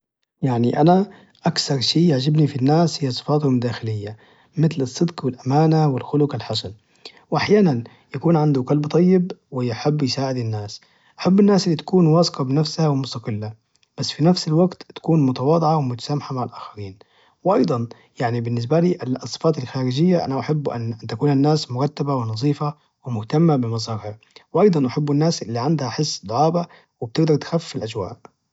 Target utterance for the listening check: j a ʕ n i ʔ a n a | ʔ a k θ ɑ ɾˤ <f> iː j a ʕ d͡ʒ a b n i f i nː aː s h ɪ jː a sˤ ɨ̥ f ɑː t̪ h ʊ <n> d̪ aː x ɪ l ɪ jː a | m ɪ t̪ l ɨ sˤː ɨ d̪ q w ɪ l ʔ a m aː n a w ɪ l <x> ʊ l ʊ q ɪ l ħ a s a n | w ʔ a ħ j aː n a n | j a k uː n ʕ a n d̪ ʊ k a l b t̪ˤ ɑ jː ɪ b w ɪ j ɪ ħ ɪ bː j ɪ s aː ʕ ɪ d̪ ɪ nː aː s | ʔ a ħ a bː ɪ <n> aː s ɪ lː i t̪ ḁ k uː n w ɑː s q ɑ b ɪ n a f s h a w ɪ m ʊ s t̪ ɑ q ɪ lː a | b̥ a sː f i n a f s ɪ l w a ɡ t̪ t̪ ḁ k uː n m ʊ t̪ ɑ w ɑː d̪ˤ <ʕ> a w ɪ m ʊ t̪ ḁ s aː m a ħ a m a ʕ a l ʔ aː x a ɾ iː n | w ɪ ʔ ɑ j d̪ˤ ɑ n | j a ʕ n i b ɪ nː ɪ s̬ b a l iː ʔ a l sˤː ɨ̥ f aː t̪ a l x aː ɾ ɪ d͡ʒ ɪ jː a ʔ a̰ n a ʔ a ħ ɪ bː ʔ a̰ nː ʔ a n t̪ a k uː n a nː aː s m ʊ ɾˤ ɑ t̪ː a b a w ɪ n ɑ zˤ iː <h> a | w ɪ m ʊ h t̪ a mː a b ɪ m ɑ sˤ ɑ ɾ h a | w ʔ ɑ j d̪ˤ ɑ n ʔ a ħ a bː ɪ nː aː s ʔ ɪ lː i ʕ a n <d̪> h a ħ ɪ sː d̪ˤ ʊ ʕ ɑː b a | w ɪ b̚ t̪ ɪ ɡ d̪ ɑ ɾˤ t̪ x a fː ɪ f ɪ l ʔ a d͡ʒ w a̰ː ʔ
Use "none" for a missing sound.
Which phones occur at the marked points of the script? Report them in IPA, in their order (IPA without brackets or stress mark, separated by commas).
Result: ʃ, m, x, nː, ʕ, f, d̪